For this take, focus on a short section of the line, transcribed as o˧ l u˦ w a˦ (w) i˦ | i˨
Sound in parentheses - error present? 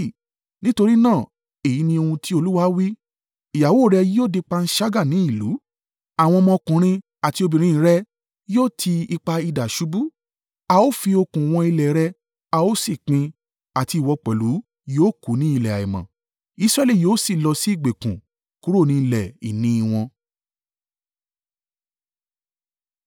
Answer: no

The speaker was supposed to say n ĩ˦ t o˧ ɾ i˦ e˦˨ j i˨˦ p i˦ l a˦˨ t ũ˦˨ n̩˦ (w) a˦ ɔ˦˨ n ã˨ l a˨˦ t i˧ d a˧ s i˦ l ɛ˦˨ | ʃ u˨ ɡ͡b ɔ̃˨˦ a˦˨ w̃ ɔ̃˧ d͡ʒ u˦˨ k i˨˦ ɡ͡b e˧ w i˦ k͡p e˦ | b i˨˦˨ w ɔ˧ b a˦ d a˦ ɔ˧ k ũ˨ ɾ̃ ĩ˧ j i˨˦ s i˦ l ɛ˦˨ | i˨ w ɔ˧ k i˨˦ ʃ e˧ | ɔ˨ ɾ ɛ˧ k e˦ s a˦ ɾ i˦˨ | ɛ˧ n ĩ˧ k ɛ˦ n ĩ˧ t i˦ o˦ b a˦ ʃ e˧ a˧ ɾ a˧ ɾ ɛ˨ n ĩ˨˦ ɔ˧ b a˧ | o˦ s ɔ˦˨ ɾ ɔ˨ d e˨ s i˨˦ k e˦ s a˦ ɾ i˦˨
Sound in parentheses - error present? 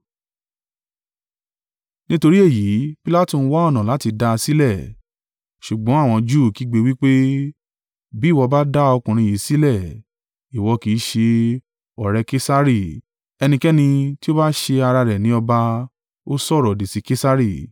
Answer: no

